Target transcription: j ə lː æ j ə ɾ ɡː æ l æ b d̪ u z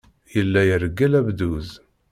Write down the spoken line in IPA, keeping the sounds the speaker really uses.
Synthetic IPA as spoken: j ə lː æ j ə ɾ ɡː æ l æ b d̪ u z